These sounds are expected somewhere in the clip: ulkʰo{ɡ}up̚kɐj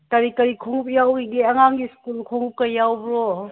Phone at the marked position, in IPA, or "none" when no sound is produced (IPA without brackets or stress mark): ŋ